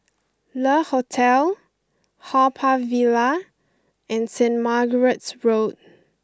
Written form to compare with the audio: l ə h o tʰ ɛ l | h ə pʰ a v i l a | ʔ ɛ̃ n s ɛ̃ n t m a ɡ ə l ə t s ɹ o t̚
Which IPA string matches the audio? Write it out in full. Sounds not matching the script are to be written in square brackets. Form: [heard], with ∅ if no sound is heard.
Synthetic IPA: l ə h o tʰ ɛ l | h [a] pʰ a v i l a | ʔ ɛ̃ n s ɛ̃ n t m a ɡ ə [ɹ] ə t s ɹ o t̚

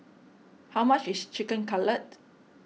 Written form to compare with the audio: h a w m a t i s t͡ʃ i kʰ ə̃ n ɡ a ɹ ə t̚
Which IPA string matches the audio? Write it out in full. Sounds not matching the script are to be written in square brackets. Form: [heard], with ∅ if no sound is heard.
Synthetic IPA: h a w m a [t͡ʃ] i s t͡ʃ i [k] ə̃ n [k] a [l] ə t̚

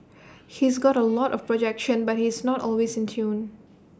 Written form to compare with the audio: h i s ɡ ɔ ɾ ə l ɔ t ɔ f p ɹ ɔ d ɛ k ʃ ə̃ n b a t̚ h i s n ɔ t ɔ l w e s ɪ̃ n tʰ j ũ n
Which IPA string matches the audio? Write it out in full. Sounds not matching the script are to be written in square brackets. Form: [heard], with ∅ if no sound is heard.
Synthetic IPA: h i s ɡ ɔ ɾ ə l ɔ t ɔ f p ɹ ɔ [d͡ʒ] ɛ k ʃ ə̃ n b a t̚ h i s n ɔ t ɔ l w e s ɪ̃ n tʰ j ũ n

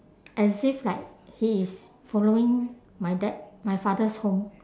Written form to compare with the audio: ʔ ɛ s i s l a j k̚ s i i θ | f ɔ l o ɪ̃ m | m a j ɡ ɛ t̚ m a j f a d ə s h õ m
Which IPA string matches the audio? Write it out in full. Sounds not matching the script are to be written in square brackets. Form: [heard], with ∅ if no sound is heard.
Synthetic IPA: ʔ ɛ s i [f] l a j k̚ [h] i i [s] | f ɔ l o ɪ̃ [ŋ] | m a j [d] ɛ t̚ m a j f a d ə s h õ m

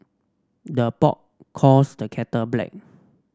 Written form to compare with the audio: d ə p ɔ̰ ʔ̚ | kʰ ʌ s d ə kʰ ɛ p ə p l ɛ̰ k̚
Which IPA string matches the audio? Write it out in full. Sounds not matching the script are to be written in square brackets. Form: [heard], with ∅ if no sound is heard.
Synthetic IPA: d ə p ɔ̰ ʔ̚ | kʰ [ɔ] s d ə kʰ ɛ [t] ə [b] l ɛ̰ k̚

